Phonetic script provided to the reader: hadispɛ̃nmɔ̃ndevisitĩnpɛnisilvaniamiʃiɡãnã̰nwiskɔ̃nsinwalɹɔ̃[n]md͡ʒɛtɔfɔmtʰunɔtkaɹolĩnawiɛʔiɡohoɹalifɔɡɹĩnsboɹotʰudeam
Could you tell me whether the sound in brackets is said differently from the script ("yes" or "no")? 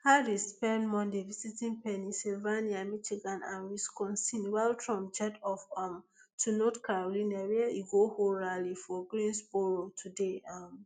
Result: yes